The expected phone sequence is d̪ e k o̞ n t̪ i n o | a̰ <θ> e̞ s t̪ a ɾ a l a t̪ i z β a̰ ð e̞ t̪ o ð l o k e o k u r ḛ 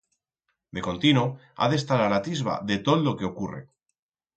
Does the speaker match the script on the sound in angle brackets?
no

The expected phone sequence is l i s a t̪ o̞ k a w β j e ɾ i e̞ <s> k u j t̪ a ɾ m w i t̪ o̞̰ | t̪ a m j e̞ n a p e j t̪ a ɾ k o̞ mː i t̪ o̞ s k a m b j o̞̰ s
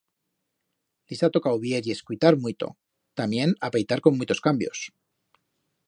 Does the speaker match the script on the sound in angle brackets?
yes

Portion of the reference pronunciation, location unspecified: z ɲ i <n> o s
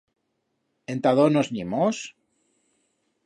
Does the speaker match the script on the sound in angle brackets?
no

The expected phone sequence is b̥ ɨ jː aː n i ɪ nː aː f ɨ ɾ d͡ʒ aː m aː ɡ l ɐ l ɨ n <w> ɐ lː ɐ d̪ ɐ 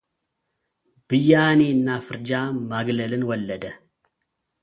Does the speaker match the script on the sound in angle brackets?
yes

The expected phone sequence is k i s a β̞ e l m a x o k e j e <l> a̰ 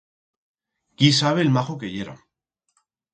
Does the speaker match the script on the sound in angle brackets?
no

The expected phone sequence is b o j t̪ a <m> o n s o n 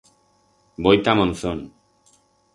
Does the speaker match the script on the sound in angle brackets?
yes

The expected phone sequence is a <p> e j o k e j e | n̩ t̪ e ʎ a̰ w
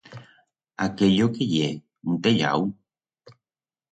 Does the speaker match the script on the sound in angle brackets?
no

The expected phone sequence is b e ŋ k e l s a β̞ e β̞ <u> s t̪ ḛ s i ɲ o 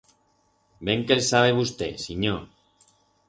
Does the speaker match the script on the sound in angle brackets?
yes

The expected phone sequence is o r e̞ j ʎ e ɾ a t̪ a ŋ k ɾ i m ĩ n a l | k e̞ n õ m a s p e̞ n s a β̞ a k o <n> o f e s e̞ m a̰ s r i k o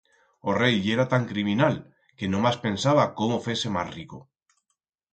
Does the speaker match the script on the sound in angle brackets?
no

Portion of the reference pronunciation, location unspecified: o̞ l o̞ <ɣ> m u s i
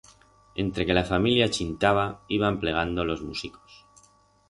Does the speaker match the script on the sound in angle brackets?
no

